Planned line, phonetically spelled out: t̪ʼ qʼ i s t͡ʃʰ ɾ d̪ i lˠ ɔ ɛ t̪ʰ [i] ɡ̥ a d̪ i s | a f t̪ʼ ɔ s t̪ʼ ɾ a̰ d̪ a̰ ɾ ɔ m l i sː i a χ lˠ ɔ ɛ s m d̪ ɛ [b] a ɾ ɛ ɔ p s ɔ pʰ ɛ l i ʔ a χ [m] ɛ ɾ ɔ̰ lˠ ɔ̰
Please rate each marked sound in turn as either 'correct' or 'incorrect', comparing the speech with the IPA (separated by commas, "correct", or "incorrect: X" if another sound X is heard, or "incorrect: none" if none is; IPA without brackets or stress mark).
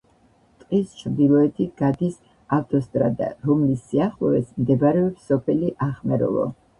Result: correct, correct, correct